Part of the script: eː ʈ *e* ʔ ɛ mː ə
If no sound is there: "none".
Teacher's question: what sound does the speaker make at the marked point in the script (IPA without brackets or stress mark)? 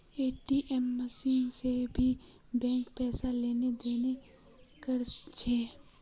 i